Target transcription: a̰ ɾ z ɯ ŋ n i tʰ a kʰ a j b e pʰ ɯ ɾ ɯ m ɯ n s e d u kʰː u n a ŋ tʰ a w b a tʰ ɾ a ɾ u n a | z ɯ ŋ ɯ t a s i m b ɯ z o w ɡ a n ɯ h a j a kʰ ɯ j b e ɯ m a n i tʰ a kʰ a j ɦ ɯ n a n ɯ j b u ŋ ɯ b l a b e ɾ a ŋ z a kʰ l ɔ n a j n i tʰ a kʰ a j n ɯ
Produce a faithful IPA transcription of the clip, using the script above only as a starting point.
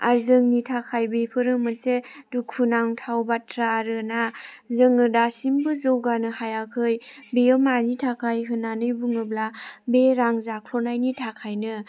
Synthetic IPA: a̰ ɾ z ɯ ŋ n i tʰ a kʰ a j b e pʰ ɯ ɾ ɯ m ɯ n s e d u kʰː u n a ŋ tʰ a w b a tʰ ɾ a ɾ ɯ n a | z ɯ ŋ ɯ d a s i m b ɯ z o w ɡ a n ɯ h a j a kʰ ɯ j b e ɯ m a n i tʰ a kʰ a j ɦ ɯ n a n ɯ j b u ŋ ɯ b l a b e ɾ a ŋ z a kʰ l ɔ n a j n i tʰ a kʰ a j n ɯ